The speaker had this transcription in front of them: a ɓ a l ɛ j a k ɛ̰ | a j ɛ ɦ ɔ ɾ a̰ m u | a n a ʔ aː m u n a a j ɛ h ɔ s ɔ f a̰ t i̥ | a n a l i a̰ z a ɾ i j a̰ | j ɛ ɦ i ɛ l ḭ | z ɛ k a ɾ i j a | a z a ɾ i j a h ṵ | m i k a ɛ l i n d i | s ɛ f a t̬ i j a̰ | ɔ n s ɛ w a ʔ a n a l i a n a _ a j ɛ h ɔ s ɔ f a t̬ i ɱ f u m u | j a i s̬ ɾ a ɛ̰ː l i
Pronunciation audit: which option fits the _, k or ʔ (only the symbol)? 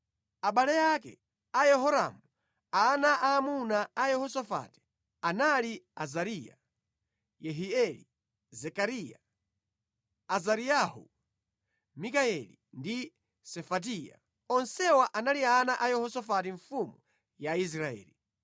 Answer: ʔ